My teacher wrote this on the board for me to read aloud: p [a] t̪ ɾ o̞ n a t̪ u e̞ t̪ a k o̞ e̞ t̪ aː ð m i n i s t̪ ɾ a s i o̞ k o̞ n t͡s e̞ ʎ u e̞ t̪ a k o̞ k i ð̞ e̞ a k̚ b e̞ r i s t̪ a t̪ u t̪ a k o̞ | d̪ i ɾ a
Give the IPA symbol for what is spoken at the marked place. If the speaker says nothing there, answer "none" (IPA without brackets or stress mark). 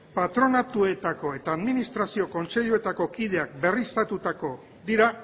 a